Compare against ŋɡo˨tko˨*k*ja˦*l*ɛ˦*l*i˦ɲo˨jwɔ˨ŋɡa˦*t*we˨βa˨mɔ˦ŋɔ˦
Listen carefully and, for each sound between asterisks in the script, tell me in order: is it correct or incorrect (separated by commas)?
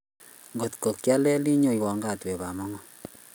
correct, correct, correct, correct